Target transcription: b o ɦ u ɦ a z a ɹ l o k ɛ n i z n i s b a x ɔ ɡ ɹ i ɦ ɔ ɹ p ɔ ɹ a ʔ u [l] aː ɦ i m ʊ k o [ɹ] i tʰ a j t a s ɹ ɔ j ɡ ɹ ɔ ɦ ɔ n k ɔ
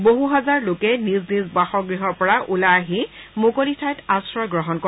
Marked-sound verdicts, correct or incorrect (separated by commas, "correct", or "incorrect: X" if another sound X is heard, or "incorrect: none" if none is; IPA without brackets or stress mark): correct, incorrect: l